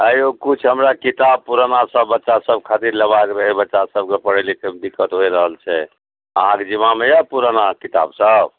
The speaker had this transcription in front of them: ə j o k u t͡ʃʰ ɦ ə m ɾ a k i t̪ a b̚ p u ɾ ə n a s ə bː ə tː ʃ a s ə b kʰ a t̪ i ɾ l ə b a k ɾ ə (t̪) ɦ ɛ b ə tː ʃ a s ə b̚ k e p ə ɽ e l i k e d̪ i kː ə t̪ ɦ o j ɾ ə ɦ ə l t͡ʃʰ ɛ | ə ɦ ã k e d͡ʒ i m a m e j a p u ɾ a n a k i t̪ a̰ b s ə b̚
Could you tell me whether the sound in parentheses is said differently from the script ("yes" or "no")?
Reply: yes